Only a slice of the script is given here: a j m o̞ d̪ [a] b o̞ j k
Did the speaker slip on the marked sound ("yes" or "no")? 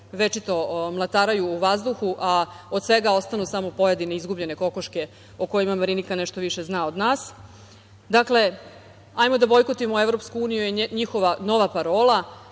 no